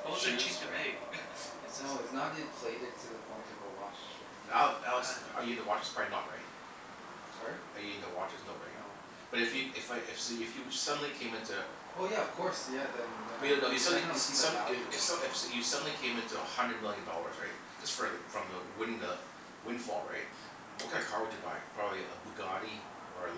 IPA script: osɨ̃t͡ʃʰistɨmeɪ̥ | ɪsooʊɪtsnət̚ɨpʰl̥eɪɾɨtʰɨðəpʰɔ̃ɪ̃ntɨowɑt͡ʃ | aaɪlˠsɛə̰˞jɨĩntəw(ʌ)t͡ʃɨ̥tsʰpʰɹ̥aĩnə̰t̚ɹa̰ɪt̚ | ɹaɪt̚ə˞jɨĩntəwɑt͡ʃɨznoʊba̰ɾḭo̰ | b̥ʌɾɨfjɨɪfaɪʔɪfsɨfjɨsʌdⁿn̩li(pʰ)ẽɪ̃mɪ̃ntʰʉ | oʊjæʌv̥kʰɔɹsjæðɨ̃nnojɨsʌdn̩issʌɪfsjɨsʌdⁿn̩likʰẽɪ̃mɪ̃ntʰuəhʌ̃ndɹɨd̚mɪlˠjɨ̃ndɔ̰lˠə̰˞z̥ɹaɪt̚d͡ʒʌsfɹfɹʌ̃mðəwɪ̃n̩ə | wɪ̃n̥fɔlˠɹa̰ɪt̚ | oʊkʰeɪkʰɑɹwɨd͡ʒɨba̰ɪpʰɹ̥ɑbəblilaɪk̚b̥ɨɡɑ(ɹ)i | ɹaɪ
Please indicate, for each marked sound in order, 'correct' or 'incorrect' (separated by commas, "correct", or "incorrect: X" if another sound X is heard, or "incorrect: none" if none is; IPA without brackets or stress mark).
incorrect: ɑ, incorrect: kʰ, incorrect: ɾ